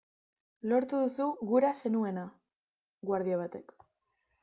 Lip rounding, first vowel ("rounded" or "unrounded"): rounded